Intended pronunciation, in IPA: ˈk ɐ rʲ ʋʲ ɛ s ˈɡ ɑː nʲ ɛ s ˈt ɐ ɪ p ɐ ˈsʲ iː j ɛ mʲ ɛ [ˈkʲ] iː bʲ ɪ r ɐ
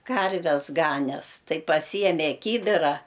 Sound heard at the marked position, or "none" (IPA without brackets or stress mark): kʲ